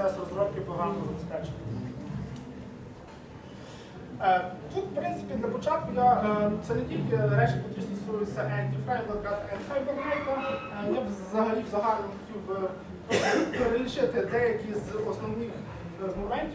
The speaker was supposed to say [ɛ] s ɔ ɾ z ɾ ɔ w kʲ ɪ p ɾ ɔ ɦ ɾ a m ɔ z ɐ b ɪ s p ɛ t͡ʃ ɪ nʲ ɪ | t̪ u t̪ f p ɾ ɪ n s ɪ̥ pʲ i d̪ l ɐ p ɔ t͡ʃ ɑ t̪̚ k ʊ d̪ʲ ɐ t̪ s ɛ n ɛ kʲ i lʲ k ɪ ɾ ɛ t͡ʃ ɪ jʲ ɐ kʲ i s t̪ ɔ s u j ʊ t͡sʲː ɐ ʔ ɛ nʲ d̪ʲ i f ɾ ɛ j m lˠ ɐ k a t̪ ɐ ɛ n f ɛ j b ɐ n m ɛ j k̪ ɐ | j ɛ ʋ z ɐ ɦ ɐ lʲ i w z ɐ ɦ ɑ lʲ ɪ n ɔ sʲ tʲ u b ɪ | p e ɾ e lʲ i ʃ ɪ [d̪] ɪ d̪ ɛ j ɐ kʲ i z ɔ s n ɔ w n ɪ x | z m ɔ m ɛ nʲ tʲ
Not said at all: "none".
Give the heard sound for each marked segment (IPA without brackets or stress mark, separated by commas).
ɛ, t̪